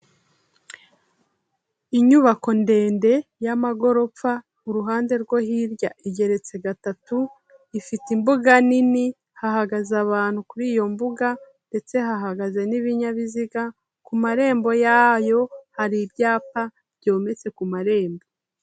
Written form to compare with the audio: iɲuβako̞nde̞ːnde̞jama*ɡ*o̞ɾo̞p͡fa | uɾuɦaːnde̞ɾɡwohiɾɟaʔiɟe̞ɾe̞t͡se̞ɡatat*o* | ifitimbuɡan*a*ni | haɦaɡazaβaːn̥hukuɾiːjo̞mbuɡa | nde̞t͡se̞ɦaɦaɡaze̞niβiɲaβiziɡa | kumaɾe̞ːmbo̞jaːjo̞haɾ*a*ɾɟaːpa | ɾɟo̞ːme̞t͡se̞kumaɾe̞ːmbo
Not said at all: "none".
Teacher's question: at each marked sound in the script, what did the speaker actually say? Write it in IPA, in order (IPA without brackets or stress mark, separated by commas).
ɡ, u, i, i